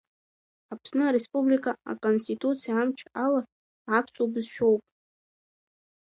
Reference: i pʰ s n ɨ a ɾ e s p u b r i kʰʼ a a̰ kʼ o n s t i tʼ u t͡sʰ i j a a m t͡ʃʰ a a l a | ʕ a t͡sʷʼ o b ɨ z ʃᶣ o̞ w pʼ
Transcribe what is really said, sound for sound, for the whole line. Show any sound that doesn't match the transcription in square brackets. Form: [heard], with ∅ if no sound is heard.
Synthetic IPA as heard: [a] pʰ s n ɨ a ɾ e s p u b [l] i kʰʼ a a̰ kʼ o n s t i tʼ u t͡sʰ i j a a m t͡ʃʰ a a l a | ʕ a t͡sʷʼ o b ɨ z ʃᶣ o̞ w pʼ

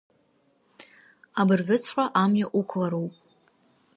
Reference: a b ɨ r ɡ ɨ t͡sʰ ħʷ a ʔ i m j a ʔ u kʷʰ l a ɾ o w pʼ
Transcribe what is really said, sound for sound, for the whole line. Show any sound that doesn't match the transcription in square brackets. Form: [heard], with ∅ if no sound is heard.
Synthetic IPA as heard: a b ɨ r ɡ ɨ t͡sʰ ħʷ a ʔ [a] m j a ʔ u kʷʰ l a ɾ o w pʼ

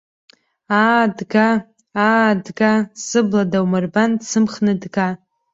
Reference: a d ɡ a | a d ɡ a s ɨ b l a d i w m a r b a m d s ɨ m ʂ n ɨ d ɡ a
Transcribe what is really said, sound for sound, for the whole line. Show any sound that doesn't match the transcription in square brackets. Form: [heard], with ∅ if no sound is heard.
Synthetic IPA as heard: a d ɡ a | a d ɡ a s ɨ b l a d [a] w m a r b a [n] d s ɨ m [χ] n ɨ d ɡ a

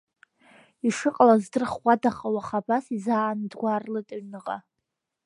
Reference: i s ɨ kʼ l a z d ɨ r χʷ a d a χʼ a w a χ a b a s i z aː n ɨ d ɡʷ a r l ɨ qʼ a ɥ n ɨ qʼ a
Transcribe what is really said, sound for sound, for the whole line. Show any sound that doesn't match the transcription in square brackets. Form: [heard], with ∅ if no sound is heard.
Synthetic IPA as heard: i [ʂ] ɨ [qʼ] l a z d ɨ r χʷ a d a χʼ a w a χ a b a s i z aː n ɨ d ɡʷ a r l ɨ [tʼ] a ɥ n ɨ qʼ a

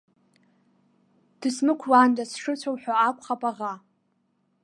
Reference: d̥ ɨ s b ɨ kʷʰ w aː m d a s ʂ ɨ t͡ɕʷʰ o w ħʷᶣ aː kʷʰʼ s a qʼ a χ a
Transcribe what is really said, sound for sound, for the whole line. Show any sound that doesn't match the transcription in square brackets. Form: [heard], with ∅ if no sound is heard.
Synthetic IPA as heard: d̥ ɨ s [m] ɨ kʷʰ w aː [n] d a s ʂ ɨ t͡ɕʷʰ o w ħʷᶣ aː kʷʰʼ [χ] a [pʼ] a [ʁ] a

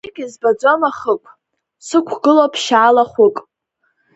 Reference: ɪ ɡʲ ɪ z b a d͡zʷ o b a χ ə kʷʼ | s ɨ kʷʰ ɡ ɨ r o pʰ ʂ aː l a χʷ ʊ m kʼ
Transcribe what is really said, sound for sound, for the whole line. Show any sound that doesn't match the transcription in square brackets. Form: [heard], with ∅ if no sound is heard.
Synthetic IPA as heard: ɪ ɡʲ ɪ z b a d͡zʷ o [m] a χ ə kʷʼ | s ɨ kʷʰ ɡ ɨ [l] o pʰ [ʃ] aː l a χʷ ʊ [∅] kʼ

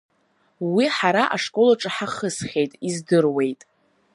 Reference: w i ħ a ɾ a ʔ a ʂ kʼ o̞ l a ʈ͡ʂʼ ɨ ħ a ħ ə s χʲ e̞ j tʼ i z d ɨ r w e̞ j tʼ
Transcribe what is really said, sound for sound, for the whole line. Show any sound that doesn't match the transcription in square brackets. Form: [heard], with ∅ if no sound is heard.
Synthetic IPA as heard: w i ħ a ɾ a ʔ a ʂ kʼ o̞ l a ʈ͡ʂʼ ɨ ħ a [χ] ə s χʲ e̞ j tʼ i z d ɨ r w e̞ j tʼ

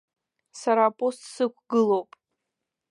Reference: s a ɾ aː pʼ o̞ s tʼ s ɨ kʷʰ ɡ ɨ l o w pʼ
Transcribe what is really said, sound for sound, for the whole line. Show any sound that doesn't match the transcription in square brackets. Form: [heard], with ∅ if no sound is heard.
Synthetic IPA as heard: s a ɾ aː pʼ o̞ s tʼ s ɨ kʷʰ ɡ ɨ l o w pʼ

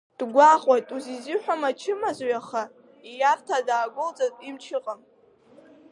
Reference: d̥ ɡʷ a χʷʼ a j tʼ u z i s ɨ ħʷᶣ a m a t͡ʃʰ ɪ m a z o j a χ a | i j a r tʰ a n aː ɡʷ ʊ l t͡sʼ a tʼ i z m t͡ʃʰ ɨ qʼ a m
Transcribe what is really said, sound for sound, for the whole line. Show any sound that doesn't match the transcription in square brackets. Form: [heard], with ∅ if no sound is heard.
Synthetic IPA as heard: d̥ ɡʷ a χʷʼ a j tʼ u z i [z] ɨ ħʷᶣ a m a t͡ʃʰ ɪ m a z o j a χ a | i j a r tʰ a [d] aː ɡʷ ʊ l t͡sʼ a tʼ i [∅] m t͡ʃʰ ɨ qʼ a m

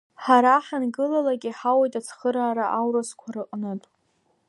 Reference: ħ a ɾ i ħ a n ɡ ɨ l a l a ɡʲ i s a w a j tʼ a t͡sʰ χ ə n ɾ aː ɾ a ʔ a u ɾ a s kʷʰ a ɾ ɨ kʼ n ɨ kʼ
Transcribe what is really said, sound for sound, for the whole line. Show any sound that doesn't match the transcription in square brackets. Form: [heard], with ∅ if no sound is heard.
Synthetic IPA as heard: ħ a ɾ [a] ħ a n ɡ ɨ l a l a ɡʲ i [ħ] a w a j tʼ a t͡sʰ χ ə [∅] ɾ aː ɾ a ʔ a [w] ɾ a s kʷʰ a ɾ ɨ [qʼ] n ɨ [tʼ]

